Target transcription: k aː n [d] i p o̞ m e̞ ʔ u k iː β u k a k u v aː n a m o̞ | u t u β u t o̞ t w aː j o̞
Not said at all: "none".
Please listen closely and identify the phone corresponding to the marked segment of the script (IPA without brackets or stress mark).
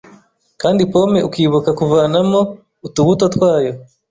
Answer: d